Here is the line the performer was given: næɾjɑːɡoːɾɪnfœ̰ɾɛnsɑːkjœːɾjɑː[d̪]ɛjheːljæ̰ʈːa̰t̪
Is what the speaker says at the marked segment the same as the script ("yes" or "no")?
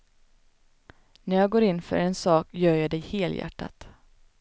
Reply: yes